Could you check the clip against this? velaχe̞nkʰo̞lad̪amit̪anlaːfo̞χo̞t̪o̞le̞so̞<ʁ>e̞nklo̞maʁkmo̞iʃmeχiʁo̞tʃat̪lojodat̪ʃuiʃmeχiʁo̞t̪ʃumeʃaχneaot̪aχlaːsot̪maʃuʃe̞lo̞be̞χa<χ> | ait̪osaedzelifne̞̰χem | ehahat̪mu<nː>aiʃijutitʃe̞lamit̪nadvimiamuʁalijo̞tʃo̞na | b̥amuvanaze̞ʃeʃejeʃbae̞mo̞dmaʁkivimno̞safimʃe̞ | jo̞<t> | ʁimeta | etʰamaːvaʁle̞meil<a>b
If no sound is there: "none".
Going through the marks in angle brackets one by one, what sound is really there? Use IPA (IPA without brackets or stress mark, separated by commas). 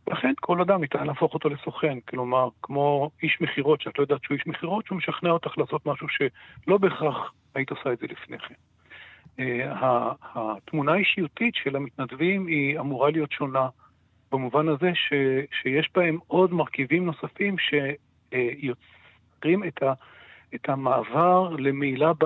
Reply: χ, χ, n, t͡s, a